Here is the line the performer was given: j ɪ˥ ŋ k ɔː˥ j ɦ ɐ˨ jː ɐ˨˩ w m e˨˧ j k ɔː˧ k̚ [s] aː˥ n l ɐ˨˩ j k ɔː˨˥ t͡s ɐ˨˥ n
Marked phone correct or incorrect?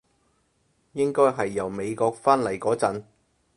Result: incorrect